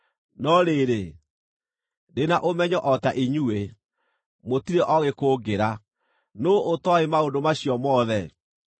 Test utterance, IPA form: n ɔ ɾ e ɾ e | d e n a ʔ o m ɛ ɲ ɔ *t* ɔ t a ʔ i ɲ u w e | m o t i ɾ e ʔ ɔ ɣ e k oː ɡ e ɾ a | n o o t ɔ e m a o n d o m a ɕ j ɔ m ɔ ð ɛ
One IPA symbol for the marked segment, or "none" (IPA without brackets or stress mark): ʔ